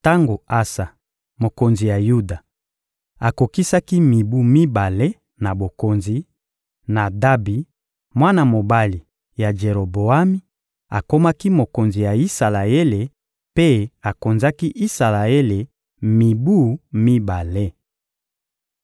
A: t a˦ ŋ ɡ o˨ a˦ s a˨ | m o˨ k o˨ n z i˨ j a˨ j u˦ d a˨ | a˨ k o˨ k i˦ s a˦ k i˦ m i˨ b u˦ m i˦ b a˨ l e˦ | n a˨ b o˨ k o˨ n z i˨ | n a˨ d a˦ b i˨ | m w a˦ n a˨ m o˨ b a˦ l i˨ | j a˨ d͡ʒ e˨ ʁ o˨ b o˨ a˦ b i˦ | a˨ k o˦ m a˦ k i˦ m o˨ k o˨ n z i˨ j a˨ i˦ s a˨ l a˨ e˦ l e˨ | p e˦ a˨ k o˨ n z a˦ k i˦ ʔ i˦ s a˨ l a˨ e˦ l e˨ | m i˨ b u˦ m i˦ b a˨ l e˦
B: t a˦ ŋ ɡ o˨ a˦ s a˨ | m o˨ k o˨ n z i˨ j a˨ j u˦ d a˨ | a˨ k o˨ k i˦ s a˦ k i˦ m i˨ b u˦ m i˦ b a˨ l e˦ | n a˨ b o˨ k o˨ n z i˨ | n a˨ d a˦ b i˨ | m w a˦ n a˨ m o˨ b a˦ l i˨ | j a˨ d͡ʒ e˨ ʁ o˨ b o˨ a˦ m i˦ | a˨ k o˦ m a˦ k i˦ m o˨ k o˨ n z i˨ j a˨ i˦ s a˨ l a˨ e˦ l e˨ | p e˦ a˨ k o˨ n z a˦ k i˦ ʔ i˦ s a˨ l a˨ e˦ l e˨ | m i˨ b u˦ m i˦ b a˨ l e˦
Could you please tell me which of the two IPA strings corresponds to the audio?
B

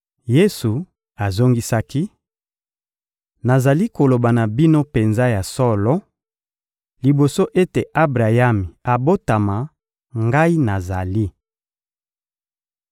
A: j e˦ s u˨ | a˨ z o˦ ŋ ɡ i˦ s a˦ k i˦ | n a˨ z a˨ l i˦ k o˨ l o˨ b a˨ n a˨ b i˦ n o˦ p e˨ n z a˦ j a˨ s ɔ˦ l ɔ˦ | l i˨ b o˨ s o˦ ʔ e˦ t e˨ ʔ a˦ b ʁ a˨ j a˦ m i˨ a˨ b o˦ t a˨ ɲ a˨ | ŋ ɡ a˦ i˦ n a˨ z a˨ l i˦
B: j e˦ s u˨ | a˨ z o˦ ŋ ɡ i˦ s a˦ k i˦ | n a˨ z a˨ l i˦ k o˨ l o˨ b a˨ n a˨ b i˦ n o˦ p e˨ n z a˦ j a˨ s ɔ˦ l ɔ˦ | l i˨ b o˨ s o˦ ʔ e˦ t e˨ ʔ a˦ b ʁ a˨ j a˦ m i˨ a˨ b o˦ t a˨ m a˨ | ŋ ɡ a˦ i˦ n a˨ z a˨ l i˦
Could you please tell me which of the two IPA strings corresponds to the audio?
B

